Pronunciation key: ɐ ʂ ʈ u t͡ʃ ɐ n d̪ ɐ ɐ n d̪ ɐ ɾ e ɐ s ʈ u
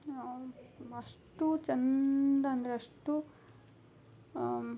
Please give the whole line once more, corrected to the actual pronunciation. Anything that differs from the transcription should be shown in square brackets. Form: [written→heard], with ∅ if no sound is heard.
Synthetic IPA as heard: ɐ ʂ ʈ u t͡ʃ ɐ n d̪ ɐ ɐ n d̪ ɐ ɾ e ɐ [s→ʂ] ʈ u